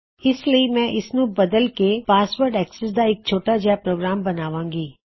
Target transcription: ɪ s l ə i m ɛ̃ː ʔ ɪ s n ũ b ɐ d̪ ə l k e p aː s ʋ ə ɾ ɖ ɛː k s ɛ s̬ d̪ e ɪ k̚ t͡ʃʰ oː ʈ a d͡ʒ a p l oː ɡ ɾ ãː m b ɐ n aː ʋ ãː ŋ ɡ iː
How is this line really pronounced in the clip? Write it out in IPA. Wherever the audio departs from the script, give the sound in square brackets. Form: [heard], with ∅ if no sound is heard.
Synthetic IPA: ɪ s l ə i m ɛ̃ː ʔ ɪ s n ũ b ɐ d̪ ə l k e p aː s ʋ ə ɾ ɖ ɛː k s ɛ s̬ d̪ [a] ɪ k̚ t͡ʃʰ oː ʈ a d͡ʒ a p [ɾ] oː ɡ ɾ [aː] m b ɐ n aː ʋ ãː ŋ ɡ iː